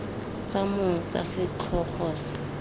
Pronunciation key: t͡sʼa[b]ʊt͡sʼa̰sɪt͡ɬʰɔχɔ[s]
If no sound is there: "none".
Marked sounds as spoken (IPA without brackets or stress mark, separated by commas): m, s